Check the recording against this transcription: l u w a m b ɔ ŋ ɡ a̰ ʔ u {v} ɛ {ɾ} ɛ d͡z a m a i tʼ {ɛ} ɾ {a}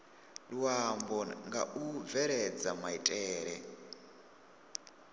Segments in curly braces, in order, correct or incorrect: correct, correct, incorrect: ɛː, incorrect: ɛ

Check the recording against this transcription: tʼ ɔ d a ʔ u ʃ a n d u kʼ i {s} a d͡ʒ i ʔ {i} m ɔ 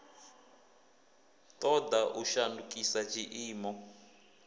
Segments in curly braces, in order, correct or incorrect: correct, incorrect: iː

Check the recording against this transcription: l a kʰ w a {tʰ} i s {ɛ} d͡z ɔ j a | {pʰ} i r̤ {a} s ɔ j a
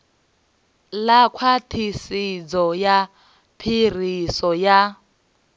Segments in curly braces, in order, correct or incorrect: correct, incorrect: i, correct, incorrect: i

